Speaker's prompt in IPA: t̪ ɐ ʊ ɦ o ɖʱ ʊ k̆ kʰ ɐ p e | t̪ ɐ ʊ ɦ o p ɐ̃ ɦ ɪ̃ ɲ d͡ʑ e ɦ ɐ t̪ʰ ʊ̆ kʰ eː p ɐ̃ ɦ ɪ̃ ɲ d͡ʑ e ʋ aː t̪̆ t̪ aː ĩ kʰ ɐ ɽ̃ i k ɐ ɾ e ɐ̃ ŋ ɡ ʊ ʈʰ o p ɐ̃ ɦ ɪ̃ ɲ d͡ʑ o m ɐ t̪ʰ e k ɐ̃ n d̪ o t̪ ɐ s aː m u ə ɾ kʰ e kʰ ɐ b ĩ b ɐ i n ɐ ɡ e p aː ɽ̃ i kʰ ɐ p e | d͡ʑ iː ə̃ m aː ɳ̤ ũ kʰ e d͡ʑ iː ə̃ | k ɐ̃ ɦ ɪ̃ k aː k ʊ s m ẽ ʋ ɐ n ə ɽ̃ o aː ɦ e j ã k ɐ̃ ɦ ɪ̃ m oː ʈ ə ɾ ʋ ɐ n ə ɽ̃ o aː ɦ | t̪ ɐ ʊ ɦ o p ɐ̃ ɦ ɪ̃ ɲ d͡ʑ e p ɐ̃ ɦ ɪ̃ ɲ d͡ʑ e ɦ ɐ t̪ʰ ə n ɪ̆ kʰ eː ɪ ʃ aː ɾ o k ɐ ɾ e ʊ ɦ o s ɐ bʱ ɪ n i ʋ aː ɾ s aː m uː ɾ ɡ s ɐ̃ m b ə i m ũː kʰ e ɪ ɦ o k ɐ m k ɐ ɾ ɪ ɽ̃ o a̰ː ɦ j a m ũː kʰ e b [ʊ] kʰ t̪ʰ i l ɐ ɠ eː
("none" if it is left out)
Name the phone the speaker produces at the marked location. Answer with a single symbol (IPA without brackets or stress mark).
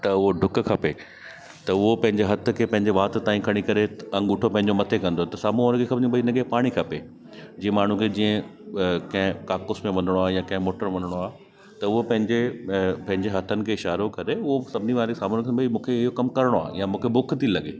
ʊ